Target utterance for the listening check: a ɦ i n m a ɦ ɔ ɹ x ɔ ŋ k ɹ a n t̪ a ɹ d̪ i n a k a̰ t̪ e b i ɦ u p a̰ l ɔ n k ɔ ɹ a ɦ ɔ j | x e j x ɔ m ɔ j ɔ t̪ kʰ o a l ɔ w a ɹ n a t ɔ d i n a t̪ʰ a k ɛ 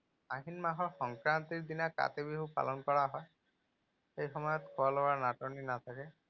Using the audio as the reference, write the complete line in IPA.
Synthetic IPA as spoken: a ɦ i n m a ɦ ɔ ɹ x ɔ ŋ k ɹ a n t̪ i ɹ d̪ i n a k a̰ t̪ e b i ɦ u p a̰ l ɔ n k ɔ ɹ a ɦ ɔ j | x e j x ɔ m ɔ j ɔ t̪ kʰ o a l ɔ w a ɹ n a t ɔ n i n a t̪ʰ a k ɛ